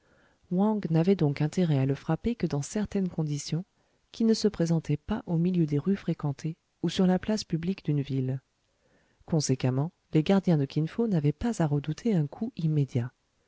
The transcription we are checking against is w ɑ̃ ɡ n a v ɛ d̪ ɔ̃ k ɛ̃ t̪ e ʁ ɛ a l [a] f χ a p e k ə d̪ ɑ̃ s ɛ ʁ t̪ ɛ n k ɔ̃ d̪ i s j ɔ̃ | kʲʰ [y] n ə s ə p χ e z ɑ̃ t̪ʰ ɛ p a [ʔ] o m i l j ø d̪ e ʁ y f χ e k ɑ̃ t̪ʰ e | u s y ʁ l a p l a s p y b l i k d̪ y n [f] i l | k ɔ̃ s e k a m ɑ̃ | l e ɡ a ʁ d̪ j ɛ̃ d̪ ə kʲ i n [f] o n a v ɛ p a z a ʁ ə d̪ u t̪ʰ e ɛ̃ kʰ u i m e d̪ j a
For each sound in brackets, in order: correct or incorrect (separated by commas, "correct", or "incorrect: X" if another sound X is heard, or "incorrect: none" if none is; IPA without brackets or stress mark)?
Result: incorrect: ə, incorrect: i, correct, incorrect: v, correct